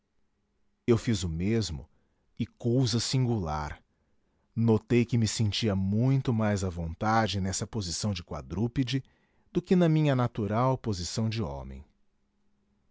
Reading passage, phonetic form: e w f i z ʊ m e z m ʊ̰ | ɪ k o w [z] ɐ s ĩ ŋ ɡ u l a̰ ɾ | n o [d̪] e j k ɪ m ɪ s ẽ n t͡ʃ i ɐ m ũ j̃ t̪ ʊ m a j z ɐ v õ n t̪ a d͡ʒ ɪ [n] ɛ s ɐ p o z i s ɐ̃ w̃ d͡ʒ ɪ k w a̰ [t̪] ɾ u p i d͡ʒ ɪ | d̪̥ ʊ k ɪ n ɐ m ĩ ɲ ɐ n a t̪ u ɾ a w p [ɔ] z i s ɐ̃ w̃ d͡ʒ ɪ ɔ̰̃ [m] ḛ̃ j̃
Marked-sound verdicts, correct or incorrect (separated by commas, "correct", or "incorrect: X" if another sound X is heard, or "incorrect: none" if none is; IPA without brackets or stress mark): correct, incorrect: t̪, correct, incorrect: d̪, incorrect: o, correct